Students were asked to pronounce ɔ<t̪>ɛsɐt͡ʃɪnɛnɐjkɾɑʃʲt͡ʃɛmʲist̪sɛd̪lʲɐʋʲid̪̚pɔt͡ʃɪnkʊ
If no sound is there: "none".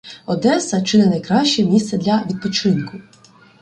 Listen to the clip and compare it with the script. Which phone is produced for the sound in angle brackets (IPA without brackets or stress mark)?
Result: d̪